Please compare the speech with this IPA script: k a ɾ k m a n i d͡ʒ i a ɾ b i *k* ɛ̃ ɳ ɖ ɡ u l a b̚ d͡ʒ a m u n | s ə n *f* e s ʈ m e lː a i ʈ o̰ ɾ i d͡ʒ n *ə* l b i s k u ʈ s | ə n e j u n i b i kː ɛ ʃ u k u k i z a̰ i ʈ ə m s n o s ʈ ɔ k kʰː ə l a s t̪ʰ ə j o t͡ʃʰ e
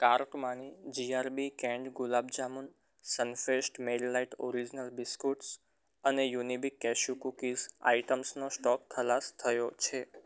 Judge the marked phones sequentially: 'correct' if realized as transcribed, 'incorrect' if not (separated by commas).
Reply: correct, correct, correct